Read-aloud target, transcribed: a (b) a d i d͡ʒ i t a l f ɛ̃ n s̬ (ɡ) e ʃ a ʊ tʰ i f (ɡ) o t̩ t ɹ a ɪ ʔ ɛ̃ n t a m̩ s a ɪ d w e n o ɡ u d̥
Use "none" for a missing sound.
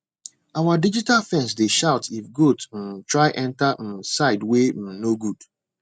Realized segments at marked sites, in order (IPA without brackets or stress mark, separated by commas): w, d, ɡ